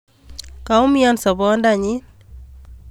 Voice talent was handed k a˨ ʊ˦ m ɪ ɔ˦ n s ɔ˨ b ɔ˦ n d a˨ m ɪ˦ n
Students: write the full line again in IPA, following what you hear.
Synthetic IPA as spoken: k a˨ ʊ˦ m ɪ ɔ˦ n s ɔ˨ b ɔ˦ n d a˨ ɲ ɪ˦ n